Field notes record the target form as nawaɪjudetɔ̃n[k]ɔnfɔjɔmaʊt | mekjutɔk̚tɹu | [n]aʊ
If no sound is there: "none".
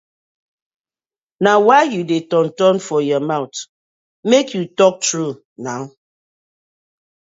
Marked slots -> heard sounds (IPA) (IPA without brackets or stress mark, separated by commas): t, n